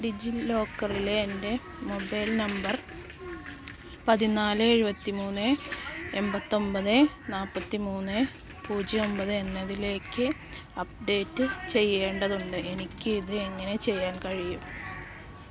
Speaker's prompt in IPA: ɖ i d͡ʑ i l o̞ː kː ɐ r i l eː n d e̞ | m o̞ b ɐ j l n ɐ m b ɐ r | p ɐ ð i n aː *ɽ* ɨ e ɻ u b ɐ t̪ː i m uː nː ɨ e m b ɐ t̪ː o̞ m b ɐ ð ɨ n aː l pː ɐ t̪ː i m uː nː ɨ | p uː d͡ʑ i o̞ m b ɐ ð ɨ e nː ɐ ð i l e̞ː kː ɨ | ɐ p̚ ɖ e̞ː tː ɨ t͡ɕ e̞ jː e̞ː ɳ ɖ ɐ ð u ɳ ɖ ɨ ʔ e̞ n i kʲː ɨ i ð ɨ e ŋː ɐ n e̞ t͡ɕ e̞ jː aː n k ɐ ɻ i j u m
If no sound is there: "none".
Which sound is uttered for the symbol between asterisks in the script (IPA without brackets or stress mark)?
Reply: l